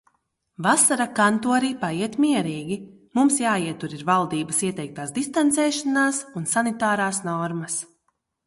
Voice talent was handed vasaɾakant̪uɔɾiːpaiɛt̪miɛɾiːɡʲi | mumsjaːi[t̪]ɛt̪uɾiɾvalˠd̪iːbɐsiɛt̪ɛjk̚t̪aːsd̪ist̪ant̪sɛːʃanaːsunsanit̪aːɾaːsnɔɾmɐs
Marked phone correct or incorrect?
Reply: incorrect